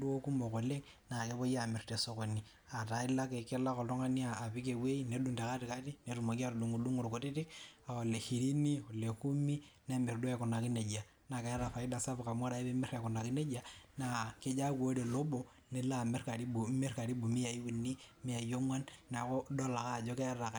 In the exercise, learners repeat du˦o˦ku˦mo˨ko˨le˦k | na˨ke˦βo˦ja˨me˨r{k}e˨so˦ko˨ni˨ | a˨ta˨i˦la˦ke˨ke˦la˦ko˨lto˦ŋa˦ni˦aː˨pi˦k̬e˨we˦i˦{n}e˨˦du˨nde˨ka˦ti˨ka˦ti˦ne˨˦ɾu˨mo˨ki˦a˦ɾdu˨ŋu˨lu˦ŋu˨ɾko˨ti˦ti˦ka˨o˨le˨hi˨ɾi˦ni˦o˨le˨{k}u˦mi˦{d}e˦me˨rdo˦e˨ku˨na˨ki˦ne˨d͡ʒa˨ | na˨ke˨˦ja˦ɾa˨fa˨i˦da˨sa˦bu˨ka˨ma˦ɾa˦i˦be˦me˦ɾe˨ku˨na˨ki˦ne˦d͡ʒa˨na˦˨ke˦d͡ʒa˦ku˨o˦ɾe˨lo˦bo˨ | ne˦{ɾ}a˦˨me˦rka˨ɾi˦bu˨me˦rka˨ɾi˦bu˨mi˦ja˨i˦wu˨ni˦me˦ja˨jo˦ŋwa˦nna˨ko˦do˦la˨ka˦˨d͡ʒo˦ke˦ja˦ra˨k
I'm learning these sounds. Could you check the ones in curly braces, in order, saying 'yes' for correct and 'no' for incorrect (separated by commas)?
no, yes, yes, no, no